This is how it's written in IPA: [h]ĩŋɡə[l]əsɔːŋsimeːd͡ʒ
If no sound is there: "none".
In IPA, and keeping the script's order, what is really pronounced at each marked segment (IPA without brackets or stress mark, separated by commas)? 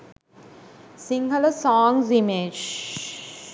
s, l